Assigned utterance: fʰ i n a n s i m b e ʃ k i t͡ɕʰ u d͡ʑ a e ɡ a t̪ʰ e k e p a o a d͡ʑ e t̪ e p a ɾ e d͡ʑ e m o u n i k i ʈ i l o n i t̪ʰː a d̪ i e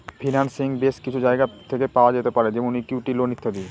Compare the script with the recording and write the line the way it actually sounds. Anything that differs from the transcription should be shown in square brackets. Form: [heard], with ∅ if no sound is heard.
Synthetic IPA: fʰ i n a n s i [ŋ] b e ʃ k i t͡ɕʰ u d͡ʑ a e ɡ a t̪ʰ e k e p a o a d͡ʑ e t̪ e p a ɾ e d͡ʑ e m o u n i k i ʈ i l o n i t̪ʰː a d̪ i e